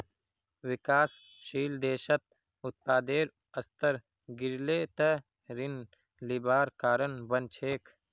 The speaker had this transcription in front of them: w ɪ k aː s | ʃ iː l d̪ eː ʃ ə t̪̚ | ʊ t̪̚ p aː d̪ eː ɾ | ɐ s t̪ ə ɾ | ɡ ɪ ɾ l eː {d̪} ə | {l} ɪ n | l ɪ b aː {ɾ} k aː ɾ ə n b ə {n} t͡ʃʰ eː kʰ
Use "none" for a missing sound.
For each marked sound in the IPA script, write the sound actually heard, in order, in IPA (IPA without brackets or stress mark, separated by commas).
t̪, ɾ, ɾ, n